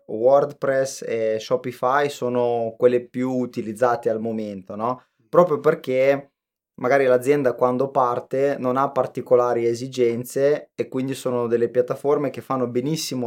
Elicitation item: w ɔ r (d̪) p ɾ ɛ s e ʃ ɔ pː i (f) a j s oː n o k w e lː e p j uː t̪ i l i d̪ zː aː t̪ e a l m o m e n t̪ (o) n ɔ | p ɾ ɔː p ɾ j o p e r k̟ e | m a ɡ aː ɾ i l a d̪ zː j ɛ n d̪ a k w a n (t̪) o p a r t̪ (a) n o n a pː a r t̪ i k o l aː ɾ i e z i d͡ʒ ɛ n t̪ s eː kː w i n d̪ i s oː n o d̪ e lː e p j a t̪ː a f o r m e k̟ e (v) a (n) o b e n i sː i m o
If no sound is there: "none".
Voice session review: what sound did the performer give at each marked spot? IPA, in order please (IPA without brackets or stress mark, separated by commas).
d̪, f, o, d̪, e, f, nː